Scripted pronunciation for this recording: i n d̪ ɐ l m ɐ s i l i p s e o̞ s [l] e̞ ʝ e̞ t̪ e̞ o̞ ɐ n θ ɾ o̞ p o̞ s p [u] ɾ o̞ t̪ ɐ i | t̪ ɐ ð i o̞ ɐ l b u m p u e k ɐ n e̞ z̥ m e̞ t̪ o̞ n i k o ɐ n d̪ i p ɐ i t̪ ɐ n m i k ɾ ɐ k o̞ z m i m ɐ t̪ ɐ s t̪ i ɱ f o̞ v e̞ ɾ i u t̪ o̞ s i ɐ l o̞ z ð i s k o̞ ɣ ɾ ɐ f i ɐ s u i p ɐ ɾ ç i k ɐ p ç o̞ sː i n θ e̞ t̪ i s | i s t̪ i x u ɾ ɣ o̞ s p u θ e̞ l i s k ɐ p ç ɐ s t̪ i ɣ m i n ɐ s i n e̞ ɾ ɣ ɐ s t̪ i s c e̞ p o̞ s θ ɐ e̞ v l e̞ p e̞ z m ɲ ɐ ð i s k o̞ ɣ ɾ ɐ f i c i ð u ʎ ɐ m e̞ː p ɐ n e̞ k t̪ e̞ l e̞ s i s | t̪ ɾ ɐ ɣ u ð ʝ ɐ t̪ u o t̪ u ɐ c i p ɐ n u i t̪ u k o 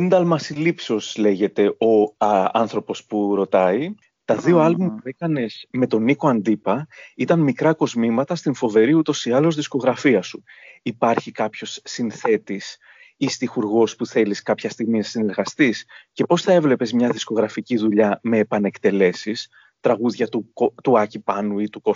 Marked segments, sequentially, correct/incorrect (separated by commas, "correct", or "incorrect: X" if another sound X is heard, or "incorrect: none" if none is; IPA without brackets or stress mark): correct, correct